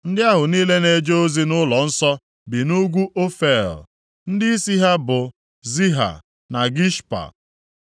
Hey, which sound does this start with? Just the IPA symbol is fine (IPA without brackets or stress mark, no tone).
n̩